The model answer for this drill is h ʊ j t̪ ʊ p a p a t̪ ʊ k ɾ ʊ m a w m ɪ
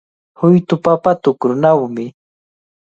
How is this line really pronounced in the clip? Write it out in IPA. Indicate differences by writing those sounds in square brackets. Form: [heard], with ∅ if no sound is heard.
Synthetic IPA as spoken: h ʊ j t̪ ʊ p a p a t̪ ʊ k ɾ ʊ [n] a w m ɪ